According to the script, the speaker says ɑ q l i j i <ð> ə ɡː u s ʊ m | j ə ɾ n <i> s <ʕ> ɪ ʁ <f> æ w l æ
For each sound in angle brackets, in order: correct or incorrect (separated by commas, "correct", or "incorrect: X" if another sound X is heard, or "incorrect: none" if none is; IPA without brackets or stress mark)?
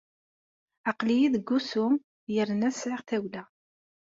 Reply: correct, incorrect: æ, correct, incorrect: θ